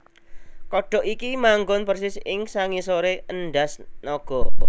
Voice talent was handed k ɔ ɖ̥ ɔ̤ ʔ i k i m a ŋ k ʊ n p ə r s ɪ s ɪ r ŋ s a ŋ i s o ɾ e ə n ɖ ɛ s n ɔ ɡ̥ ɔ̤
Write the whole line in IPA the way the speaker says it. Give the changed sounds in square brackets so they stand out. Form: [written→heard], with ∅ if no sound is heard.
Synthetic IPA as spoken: k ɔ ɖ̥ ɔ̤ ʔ i k i m a ŋ [k→ɡ] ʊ n p ə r s ɪ s ɪ [r→∅] ŋ s a ŋ i s o ɾ e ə n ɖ [ɛ→a] s n ɔ ɡ̥ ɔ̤